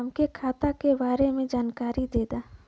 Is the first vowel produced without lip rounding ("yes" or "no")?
yes